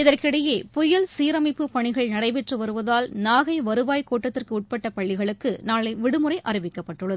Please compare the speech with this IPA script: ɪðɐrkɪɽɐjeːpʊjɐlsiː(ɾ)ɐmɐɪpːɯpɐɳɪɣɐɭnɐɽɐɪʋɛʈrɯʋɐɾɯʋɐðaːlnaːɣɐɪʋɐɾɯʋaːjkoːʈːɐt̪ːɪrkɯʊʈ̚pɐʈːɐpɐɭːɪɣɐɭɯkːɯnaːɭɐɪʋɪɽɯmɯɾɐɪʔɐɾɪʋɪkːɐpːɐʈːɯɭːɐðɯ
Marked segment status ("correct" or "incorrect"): correct